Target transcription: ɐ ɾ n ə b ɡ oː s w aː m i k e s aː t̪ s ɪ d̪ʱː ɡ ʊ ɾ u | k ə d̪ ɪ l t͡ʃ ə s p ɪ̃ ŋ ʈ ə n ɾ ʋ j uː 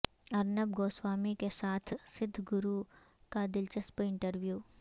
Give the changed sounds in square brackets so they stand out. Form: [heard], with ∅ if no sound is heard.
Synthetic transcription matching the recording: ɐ ɾ n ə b ɡ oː s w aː m i k e s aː [t̪ʰ] s ɪ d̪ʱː ɡ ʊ ɾ u | k [a] d̪ ɪ l t͡ʃ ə s p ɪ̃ [ɳ] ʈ ə [∅] ɾ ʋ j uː